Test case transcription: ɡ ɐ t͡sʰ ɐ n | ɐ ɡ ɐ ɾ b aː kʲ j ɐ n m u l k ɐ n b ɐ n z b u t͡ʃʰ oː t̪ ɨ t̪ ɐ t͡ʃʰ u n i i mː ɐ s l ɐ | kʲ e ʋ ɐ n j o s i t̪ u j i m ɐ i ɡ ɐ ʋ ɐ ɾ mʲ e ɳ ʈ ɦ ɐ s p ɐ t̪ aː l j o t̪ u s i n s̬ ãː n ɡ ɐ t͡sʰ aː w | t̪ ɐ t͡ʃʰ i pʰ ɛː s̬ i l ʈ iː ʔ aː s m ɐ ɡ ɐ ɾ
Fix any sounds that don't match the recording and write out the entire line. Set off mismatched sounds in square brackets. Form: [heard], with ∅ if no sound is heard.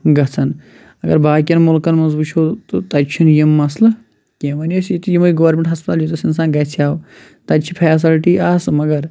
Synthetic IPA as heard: ɡ ɐ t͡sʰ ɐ n | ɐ ɡ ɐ ɾ b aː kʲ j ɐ n m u l k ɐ n [m] ɐ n z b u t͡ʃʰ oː t̪ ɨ t̪ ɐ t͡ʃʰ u n [j] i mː ɐ s l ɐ | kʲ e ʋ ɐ n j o s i t̪ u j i m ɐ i ɡ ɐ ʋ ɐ ɾ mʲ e ɳ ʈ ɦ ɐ s p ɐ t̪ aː l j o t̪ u s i n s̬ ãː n ɡ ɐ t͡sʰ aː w | t̪ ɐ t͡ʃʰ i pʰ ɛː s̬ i l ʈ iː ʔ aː s m ɐ ɡ ɐ ɾ